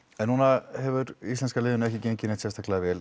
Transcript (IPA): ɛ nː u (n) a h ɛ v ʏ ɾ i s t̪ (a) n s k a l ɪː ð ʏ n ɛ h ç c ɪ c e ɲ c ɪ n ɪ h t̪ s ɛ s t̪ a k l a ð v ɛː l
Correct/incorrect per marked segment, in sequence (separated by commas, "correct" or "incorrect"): correct, incorrect